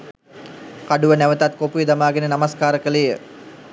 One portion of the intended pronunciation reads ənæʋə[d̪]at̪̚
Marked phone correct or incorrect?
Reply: incorrect